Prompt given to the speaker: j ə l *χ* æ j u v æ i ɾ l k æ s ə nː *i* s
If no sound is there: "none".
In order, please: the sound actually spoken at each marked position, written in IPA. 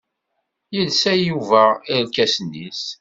s, i

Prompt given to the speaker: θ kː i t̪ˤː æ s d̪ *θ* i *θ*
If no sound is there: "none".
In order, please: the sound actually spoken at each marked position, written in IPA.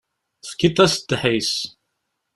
ħ, s

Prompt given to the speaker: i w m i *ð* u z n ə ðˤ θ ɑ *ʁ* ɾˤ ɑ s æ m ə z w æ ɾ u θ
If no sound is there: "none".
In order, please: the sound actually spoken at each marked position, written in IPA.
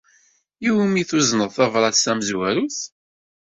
θ, v

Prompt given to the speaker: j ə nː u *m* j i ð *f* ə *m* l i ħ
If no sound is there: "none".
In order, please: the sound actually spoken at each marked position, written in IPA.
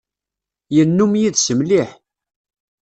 m, s, m

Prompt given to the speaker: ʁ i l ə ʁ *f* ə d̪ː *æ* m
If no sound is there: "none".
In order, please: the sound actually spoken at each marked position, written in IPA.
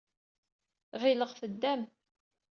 f, æ

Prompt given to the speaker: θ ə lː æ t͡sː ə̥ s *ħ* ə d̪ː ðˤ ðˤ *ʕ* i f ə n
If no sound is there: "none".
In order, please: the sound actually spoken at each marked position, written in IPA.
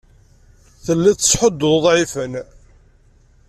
ħ, ʕ

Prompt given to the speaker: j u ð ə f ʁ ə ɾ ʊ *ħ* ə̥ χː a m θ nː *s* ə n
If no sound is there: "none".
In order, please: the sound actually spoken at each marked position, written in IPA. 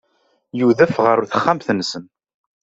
θ, s

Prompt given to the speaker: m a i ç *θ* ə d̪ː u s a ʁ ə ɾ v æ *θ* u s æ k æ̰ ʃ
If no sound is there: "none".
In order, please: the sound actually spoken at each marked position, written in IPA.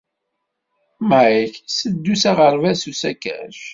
s, s

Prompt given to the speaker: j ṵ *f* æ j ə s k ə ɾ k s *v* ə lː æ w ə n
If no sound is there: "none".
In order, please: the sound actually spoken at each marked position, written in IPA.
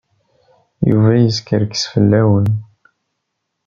v, f

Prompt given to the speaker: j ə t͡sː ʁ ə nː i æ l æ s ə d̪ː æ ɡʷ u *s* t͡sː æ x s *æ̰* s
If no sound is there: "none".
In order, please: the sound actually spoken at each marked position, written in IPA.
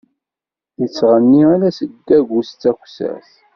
s, æ̰

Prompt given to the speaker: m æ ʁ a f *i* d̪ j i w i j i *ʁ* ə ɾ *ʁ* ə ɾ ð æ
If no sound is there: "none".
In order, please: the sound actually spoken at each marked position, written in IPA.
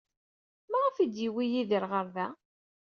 i, ð, ʁ

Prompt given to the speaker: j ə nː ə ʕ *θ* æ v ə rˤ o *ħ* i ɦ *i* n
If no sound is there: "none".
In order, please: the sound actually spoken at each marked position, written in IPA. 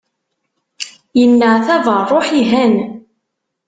θ, ħ, æ

